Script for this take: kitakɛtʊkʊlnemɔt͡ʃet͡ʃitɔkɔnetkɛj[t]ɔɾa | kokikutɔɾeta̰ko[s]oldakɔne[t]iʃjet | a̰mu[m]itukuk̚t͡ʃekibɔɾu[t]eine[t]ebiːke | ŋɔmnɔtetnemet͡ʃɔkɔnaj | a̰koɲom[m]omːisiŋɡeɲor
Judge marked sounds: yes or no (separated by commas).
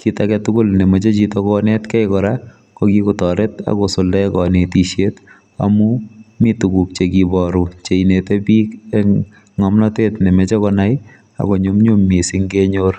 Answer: no, yes, yes, yes, no, yes, no